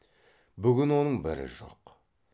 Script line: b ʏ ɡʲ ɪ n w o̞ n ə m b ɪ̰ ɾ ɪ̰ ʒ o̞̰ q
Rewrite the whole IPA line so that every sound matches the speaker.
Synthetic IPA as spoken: b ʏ ɡʲ ɪ n w o̞ n ə ɴ b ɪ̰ ɾ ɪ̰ ʒ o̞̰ q